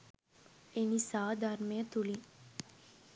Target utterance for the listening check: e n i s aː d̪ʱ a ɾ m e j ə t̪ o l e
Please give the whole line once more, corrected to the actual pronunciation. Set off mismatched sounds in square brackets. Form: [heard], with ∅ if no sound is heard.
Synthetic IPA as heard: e n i s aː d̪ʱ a ɾ m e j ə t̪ [u] l [i]